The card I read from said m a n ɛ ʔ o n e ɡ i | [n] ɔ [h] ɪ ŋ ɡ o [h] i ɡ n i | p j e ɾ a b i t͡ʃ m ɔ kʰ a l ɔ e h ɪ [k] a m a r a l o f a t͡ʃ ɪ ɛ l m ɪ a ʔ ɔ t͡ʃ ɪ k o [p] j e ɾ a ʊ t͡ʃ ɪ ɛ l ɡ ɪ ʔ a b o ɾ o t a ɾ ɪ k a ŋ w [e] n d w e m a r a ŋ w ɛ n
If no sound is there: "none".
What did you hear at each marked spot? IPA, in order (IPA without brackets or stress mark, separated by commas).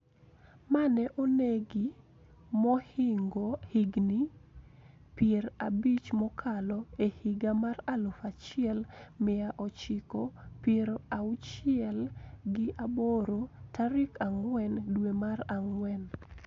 m, h, h, ɡ, p, ɛ